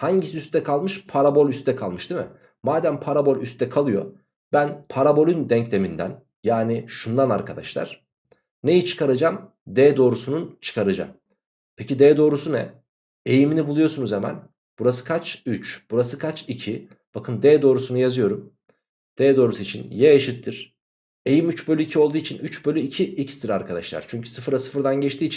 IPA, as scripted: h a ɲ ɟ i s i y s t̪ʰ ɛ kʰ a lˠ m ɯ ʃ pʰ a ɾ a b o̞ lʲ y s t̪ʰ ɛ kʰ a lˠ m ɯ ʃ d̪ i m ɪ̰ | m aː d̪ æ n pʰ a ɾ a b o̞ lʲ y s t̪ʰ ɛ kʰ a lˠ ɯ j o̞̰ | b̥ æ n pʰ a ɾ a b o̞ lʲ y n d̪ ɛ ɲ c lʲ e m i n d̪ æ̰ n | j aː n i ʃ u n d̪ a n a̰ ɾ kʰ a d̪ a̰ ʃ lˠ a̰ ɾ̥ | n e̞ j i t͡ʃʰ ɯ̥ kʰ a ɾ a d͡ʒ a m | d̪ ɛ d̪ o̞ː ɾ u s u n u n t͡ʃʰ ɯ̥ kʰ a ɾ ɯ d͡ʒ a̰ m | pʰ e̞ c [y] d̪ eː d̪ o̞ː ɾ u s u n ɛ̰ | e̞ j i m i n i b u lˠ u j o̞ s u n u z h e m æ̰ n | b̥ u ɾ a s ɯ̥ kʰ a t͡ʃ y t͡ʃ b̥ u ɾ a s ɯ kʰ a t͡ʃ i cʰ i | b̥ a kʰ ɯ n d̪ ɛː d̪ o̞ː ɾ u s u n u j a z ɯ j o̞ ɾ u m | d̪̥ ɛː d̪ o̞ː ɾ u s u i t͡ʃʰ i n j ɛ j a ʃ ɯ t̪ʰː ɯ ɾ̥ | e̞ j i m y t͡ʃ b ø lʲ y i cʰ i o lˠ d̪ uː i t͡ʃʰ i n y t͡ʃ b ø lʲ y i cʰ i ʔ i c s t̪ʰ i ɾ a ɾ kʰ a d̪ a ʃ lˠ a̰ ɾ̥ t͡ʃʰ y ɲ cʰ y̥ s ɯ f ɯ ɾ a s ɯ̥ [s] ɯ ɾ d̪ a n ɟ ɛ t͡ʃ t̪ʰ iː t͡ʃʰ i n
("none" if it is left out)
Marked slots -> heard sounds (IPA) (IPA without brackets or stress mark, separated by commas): i, f